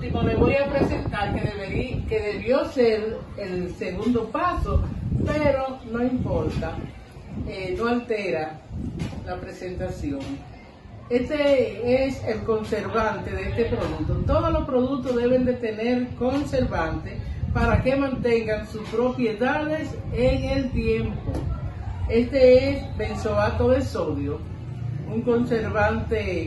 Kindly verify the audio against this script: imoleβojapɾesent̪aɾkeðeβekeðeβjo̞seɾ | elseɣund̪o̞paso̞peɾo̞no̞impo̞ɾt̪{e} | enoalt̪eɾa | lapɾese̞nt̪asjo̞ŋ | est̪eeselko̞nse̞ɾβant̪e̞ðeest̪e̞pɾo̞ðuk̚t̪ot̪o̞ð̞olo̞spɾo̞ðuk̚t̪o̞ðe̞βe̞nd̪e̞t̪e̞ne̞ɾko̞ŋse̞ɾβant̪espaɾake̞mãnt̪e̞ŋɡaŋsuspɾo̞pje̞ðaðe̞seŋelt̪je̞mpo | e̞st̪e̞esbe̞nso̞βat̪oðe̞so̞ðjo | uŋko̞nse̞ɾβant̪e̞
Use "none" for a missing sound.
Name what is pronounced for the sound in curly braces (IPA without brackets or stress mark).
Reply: a